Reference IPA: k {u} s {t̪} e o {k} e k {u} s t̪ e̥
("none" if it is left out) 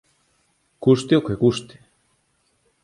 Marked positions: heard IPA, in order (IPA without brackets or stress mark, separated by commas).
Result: u, t̪, k, u